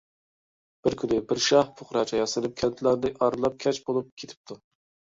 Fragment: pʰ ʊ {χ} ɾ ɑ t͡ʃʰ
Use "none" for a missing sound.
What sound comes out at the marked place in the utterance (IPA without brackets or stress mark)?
χ